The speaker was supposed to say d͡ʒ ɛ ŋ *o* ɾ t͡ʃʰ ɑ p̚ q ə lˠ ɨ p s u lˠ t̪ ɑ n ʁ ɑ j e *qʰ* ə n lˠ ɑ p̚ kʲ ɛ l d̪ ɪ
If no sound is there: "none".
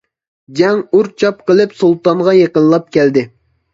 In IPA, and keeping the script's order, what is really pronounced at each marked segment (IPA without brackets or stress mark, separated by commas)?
u, q